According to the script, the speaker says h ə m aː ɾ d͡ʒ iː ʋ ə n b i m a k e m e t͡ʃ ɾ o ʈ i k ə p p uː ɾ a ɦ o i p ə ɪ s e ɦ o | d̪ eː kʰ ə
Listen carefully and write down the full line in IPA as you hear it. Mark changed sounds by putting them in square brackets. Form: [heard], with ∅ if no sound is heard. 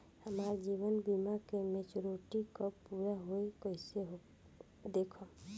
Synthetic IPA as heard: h ə m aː ɾ d͡ʒ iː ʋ ə n b i m a k e m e t͡ʃ ɾ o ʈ i k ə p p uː ɾ a ɦ o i [k] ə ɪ s e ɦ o | d̪ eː kʰ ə